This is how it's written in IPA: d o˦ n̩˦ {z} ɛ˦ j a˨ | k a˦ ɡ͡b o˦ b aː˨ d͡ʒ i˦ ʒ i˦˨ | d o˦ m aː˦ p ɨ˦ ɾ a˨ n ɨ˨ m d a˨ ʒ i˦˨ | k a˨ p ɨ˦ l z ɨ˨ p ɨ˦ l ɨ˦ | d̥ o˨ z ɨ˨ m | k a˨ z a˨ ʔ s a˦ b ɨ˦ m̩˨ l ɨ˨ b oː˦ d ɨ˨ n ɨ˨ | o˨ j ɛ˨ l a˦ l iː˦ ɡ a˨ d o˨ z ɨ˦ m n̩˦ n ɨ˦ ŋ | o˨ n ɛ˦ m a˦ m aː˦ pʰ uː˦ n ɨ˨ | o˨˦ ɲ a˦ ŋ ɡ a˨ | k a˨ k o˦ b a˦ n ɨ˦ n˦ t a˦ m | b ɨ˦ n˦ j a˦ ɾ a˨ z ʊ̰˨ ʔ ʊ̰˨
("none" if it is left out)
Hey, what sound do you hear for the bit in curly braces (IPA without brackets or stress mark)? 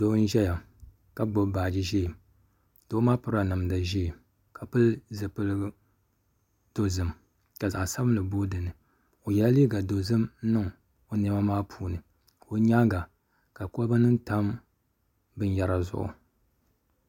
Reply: ʒ